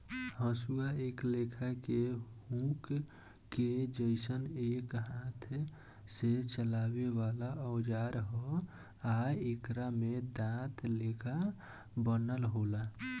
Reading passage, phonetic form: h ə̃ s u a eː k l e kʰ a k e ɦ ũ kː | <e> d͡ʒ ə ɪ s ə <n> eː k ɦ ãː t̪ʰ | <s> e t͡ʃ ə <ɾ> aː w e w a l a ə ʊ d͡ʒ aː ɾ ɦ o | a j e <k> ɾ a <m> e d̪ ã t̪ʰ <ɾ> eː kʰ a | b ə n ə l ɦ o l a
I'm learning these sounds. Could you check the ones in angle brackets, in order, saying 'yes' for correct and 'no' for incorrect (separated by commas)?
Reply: yes, yes, yes, no, yes, yes, no